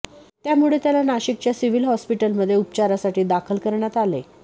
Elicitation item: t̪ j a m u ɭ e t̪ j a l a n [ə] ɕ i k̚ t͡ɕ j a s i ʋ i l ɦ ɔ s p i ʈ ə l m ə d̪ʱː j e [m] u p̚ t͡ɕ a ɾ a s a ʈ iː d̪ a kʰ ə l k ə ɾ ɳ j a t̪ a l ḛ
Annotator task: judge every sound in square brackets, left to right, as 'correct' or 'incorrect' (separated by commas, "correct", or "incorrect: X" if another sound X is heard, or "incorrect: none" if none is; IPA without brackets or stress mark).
incorrect: a, incorrect: none